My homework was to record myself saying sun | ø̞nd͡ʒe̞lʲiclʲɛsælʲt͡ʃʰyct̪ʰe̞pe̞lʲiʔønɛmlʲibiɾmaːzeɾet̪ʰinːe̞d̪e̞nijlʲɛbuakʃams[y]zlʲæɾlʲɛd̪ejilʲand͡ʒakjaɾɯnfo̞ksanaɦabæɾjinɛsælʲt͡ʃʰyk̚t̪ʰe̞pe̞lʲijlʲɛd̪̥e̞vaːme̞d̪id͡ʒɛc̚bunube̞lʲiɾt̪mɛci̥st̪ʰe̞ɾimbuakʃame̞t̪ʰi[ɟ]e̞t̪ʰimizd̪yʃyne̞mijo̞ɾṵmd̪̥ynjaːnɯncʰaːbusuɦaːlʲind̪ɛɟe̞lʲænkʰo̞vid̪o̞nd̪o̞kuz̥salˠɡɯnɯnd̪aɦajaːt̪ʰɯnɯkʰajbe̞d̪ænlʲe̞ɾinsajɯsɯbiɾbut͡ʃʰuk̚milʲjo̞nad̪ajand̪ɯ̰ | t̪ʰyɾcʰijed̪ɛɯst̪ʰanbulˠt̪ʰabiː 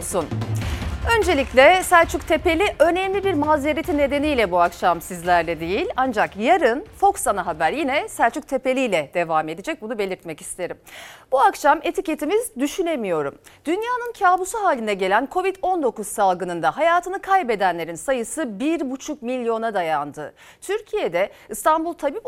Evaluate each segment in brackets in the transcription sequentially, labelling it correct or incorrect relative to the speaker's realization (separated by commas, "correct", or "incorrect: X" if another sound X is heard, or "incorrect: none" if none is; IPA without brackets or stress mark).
incorrect: i, incorrect: c